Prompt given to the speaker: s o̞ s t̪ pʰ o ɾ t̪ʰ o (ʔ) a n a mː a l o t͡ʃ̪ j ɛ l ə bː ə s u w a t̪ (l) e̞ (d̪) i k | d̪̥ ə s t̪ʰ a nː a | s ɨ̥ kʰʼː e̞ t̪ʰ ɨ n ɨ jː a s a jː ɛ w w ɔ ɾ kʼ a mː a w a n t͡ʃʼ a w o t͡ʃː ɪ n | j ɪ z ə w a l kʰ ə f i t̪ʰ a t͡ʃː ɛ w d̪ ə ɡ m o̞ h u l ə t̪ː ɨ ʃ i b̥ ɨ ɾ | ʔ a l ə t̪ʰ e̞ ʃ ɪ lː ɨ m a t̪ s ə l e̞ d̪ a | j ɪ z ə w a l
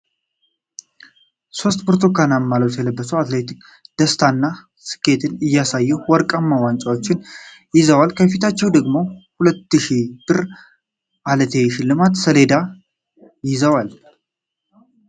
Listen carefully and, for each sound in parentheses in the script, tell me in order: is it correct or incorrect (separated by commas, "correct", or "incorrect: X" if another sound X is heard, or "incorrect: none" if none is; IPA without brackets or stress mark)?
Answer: incorrect: k, correct, incorrect: t̪